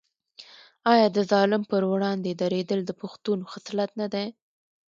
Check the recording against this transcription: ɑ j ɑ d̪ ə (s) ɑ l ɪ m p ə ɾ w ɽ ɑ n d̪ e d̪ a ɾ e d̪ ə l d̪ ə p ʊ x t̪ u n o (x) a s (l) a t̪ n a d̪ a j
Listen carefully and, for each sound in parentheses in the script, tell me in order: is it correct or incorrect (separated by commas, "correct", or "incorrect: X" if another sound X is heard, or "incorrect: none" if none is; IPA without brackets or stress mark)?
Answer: incorrect: z, correct, correct